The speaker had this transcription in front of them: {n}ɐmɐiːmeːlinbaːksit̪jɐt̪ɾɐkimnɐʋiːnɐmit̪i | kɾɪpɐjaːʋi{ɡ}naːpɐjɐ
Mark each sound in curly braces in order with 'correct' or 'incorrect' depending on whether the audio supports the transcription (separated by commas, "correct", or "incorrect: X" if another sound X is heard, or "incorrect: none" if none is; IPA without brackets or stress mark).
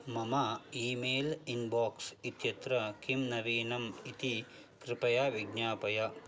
incorrect: m, correct